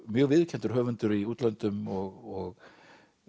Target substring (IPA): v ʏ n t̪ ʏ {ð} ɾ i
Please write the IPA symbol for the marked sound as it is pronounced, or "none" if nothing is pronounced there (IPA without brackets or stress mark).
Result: none